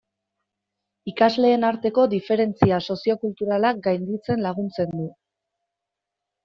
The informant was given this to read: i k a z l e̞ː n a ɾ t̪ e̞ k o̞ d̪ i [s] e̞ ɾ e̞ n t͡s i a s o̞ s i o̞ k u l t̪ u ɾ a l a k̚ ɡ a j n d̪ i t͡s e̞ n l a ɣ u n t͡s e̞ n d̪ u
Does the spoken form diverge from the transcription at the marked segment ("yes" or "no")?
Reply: yes